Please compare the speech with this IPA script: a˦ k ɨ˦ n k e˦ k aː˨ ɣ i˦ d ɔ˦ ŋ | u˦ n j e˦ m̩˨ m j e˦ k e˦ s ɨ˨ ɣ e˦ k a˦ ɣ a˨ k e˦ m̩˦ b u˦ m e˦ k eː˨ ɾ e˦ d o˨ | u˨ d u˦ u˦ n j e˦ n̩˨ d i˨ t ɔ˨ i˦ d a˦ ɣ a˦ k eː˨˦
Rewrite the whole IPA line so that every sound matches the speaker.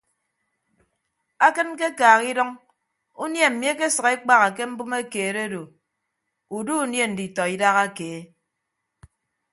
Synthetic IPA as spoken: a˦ k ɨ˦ n k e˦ k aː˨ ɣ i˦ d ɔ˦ ŋ | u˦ n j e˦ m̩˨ m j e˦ k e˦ s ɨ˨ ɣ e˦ k͡p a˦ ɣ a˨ k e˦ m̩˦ b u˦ m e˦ k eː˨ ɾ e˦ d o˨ | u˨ d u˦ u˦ n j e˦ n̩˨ d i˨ t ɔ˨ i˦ d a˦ ɣ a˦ k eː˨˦